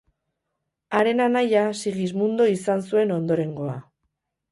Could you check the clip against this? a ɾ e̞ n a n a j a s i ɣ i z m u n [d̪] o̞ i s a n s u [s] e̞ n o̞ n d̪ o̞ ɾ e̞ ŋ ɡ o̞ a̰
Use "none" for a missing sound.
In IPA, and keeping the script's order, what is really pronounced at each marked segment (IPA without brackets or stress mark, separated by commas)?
d̪, none